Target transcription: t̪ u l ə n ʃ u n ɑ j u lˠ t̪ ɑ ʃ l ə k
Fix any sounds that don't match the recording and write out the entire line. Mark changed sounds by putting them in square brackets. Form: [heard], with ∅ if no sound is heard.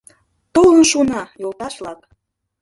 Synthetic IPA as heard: t̪ [o] l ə n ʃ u n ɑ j [o] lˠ t̪ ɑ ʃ l [ɑ] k